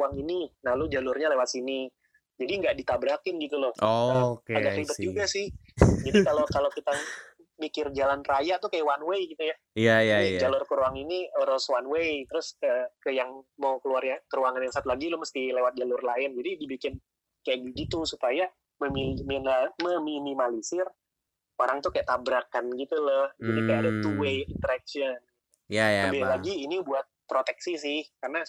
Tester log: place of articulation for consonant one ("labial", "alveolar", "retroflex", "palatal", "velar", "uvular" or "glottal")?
velar